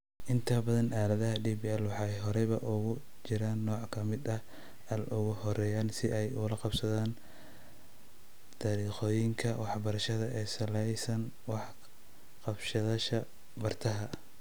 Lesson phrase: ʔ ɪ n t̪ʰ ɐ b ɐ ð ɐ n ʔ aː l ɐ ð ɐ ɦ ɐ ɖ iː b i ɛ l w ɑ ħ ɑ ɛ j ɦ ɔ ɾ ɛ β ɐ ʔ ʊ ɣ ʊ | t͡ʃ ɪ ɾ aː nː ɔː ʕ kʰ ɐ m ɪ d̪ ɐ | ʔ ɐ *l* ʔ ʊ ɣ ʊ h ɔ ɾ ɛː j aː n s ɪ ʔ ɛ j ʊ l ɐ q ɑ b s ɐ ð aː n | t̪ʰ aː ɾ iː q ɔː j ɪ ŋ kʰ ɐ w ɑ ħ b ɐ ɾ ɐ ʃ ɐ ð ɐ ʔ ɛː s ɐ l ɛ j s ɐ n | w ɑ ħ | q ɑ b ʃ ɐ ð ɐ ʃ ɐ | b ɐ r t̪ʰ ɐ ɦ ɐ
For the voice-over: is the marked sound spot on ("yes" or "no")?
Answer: yes